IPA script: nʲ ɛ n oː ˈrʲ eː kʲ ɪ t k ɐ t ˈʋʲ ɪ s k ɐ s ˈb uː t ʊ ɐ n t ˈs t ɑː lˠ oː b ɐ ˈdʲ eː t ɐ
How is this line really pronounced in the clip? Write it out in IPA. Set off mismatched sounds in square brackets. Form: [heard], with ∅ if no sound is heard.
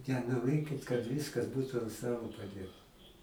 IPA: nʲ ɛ n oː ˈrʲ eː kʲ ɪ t k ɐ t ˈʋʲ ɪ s k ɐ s ˈb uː t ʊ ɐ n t ˈs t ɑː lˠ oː [p] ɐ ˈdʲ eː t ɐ